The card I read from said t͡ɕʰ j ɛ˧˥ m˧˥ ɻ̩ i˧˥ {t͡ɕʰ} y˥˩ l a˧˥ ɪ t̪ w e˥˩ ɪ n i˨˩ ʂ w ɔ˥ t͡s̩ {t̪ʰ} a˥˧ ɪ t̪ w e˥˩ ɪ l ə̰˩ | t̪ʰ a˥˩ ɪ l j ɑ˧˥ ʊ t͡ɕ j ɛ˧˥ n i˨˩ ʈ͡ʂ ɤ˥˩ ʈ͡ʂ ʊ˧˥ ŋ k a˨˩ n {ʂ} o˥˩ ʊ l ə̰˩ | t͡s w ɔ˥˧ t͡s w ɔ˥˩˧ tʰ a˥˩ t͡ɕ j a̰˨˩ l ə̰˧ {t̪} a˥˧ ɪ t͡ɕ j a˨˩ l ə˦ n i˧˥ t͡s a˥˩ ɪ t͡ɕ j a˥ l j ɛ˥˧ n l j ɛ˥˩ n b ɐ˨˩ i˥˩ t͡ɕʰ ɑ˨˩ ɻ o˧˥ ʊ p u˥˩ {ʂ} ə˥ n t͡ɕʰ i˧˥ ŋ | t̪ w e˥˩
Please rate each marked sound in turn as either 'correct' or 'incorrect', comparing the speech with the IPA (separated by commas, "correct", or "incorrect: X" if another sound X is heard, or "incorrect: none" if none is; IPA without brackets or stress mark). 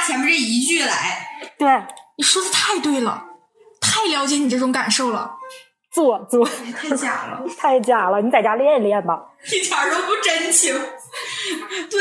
incorrect: t͡ɕ, correct, correct, incorrect: t̪ʰ, incorrect: ʈ͡ʂ